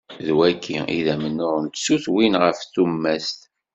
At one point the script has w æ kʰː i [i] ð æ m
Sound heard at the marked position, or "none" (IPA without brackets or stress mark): i